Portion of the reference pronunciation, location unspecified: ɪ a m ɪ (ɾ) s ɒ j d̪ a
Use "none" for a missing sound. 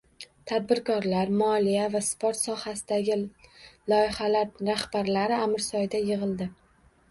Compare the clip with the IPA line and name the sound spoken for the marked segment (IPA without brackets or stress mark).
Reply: ɾ